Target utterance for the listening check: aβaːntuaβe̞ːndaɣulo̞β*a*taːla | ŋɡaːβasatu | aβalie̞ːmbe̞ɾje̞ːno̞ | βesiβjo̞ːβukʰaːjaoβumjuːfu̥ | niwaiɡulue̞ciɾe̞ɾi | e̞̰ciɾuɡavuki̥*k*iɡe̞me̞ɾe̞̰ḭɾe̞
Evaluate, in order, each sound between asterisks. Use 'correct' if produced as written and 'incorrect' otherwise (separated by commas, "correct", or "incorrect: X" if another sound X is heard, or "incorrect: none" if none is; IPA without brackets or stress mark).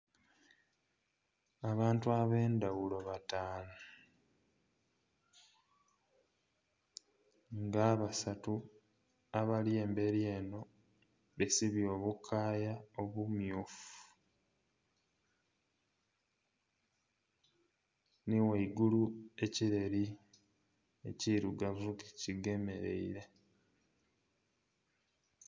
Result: correct, incorrect: c